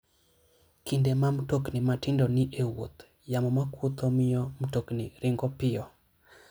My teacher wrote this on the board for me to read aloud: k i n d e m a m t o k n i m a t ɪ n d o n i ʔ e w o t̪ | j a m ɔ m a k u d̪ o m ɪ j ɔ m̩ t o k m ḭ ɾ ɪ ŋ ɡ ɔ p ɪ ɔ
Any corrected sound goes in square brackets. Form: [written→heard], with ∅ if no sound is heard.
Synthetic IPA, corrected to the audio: k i n d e m a m t o k n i m a t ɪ n d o n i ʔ e w o t̪ | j a m ɔ m a k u [d̪→t̪] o m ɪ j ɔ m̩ t o k [m→n] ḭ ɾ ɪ ŋ ɡ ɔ p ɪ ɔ